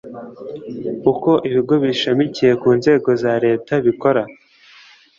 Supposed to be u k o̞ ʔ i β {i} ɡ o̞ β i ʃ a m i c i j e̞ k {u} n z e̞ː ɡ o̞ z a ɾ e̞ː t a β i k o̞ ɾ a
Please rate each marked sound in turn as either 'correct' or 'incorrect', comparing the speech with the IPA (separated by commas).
correct, incorrect